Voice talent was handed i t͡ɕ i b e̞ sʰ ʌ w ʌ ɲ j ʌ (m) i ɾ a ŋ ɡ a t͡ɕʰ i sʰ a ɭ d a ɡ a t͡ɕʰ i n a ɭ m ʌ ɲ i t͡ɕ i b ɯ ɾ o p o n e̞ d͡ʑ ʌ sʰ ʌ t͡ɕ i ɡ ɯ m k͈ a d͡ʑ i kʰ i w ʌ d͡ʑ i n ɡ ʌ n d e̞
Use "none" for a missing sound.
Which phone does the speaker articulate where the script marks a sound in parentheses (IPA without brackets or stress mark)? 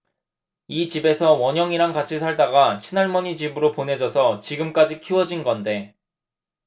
ŋ